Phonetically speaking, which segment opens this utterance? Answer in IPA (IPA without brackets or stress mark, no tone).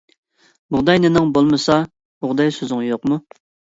b